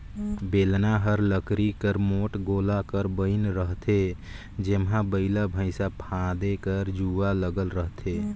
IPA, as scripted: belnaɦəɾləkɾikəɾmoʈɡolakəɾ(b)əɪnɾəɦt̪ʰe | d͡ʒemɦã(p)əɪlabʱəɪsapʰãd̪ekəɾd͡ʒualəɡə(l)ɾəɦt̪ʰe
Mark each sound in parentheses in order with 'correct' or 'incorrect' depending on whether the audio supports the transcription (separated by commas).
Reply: correct, incorrect, correct